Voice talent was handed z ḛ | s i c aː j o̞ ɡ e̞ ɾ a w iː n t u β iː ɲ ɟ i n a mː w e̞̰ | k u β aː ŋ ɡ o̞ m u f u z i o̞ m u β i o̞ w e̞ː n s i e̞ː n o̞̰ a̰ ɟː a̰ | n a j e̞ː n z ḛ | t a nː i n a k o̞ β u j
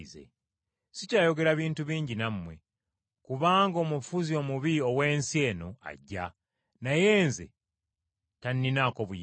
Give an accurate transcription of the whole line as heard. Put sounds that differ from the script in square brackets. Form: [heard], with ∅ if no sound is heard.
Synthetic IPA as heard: z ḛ | s i c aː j o̞ ɡ e̞ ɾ a [β] iː n t u β iː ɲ ɟ i n a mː w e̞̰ | k u β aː ŋ ɡ o̞ m u f u z i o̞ m u β i o̞ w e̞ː n s i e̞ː n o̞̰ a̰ ɟː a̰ | n a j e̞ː n z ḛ | t a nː i n a k o̞ β u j